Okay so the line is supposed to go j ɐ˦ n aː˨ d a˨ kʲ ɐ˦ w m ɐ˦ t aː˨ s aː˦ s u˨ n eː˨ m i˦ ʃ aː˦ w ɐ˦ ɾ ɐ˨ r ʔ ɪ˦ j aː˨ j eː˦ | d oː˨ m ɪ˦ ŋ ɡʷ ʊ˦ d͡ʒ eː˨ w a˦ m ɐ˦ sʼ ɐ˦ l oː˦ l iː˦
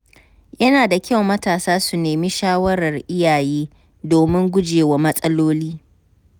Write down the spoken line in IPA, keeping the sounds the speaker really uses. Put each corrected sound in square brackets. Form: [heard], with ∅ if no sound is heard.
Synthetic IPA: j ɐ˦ n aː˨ d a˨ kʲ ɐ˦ w m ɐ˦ t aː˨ s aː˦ s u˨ n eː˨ m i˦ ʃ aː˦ w ɐ˦ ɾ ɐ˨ r ʔ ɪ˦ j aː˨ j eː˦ | d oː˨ m ɪ˦ ŋ ɡʷ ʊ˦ d͡ʒ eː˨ w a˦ m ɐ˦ sʼ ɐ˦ l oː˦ l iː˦

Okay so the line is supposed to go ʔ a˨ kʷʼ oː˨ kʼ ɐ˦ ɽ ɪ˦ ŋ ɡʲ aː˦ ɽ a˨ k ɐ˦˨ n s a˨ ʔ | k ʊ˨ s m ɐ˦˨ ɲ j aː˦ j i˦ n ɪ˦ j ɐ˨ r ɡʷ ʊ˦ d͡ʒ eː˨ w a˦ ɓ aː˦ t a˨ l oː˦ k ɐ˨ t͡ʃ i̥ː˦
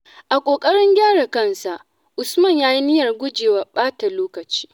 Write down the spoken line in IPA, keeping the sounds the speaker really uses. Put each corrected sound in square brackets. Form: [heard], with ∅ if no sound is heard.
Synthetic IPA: ʔ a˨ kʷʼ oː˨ kʼ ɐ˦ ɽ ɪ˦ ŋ ɡʲ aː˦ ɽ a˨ k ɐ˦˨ n s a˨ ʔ | [ʔ] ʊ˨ s m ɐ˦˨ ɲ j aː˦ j i˦ n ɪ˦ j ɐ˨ r ɡʷ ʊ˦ d͡ʒ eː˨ w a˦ ɓ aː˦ t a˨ l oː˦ k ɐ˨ t͡ʃ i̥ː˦

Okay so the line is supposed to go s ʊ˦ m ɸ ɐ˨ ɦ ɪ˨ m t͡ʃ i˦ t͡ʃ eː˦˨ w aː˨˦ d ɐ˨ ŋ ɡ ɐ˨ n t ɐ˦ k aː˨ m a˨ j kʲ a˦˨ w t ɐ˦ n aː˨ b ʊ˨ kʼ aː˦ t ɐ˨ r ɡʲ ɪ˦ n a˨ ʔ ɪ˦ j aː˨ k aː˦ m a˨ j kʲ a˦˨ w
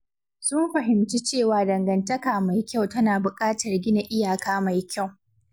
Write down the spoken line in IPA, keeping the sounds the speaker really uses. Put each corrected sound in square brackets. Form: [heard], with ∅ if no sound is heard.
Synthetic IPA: s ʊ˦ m ɸ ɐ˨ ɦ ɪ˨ m t͡ʃ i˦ t͡ʃ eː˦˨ w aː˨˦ d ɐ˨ ŋ ɡ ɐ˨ n t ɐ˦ k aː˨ m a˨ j kʲ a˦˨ w t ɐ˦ n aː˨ b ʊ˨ kʼ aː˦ t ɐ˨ r ɡʲ ɪ˦ n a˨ ʔ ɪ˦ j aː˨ k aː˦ m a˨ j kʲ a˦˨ w

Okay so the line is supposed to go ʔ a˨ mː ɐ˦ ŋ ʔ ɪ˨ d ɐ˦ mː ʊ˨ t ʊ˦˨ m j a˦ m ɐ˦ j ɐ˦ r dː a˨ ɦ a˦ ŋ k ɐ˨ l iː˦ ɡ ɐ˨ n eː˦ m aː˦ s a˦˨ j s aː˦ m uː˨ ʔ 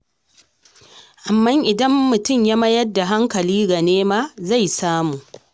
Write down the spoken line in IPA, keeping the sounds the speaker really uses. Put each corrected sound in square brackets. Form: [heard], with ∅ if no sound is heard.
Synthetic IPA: ʔ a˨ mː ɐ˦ ŋ ʔ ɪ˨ d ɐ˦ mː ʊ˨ t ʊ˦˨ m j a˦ m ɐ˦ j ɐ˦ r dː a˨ ɦ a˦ ŋ k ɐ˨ l iː˦ ɡ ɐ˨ n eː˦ m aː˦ [z] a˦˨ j s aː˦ m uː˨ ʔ

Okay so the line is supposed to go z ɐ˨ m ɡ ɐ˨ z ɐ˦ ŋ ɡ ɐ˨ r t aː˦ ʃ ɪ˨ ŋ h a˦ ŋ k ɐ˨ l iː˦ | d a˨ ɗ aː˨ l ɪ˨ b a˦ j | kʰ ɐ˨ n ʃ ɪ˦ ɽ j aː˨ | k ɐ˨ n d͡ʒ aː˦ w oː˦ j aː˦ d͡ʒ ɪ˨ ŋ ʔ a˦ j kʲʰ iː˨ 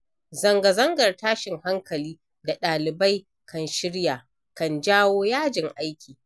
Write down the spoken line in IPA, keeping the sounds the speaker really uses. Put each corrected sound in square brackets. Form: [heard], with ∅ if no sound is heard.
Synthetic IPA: z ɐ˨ [ŋ] ɡ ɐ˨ z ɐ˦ ŋ ɡ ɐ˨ r t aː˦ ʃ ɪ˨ ŋ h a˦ ŋ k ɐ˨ l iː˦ | d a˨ ɗ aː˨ l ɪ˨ b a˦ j | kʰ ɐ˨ n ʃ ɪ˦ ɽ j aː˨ | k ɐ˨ n d͡ʒ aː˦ w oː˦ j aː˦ d͡ʒ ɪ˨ ŋ ʔ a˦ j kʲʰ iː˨

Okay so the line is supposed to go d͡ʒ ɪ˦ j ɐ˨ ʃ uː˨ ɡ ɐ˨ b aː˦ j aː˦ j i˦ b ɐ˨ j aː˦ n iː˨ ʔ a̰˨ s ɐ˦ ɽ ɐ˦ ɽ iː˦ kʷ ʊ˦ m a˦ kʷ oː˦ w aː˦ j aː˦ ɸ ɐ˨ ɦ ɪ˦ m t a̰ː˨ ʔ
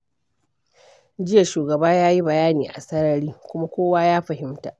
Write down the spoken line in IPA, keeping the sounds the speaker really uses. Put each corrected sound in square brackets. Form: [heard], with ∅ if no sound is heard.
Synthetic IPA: d͡ʒ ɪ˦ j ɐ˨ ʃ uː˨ ɡ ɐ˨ b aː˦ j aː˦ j i˦ b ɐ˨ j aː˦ n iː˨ ʔ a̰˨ s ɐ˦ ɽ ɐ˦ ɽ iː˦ kʷ ʊ˦ m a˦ kʷ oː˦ w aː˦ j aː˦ ɸ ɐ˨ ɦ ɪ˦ m t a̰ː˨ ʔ

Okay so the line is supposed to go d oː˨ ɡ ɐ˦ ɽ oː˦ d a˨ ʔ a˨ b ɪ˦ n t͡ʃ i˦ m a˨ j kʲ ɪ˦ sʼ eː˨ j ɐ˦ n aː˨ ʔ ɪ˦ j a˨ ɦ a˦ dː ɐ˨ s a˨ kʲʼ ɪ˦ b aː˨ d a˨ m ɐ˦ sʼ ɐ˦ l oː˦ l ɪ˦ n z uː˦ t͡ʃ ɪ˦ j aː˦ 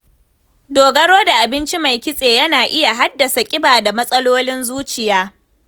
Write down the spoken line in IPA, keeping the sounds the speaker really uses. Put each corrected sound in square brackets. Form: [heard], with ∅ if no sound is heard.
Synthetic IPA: d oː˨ ɡ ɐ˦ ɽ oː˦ d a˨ ʔ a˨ b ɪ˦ n t͡ʃ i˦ m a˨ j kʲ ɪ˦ sʼ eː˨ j ɐ˦ n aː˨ ʔ ɪ˦ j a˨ ɦ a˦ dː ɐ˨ s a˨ kʲʼ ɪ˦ b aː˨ d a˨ m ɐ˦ sʼ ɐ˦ l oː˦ l ɪ˦ n z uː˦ t͡ʃ [ɪ˨] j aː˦

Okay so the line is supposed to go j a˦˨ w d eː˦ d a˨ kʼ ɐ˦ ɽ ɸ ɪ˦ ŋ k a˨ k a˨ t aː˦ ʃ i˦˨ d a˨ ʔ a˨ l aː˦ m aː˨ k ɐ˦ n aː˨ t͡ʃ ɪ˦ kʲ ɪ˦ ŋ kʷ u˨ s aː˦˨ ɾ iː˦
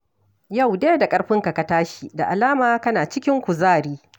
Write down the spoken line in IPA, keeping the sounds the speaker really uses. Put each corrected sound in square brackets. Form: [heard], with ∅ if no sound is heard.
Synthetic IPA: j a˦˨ w d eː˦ d a˨ kʼ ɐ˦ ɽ ɸ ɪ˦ ŋ k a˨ k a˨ t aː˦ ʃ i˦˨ d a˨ ʔ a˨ l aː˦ m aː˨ k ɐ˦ n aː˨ t͡ʃ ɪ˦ kʲ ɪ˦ ŋ kʷ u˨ [z] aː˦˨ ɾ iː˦

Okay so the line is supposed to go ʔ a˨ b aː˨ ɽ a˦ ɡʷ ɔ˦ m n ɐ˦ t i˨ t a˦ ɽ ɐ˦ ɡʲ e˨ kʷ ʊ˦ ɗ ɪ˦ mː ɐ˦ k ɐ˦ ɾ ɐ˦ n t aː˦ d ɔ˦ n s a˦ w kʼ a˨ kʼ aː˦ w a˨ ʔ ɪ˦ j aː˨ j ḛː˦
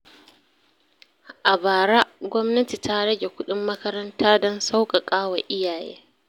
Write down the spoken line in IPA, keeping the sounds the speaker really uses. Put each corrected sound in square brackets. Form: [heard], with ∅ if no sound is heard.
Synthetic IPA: ʔ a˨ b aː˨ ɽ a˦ ɡʷ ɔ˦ m n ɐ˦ t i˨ t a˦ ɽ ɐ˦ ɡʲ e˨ kʷ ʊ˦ ɗ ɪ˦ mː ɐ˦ k ɐ˦ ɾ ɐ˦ n t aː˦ d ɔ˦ n s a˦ w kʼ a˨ kʼ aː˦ w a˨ ʔ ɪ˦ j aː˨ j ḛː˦

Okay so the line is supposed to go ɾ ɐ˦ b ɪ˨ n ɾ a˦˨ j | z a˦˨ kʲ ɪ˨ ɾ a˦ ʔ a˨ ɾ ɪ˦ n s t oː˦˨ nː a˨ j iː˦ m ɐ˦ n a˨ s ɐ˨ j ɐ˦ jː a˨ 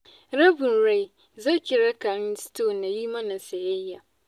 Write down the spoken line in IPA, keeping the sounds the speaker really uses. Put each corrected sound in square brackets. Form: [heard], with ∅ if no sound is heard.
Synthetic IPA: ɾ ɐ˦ b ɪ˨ n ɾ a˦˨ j | z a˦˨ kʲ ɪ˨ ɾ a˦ [k] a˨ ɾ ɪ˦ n s t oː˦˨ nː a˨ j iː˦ m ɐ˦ n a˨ s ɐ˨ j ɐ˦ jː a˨

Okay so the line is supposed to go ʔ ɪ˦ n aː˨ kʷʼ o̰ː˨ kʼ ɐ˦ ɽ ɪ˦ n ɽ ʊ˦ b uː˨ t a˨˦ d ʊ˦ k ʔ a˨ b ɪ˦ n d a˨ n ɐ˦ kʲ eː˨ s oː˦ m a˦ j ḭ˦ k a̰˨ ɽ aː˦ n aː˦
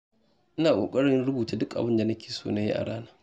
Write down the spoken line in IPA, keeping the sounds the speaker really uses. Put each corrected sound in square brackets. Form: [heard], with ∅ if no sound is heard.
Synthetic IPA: ʔ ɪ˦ n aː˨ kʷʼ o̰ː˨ kʼ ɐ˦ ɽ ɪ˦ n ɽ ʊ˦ b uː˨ t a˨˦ d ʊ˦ k ʔ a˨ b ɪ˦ n d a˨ n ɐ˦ kʲ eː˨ s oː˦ [n] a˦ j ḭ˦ [ʔ] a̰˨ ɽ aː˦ n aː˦

